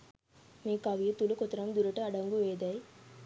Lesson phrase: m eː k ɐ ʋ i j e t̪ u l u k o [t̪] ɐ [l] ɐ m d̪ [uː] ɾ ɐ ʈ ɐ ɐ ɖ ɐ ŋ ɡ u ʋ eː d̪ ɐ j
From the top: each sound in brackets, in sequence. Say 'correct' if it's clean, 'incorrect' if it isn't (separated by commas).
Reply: correct, incorrect, incorrect